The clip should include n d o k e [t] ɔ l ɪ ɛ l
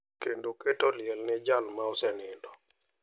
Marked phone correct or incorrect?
correct